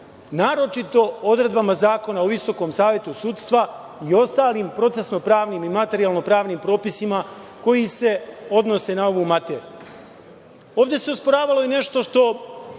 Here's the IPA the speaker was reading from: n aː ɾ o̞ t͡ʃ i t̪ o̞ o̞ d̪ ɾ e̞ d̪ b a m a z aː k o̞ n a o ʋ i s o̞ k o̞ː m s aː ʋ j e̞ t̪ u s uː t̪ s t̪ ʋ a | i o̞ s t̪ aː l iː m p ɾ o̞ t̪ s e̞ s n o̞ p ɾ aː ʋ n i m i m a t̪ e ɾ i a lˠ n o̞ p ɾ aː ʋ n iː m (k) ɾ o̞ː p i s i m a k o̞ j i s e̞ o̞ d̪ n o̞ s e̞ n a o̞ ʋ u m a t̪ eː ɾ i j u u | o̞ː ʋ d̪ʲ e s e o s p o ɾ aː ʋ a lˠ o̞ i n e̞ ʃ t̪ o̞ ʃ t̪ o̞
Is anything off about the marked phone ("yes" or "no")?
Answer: yes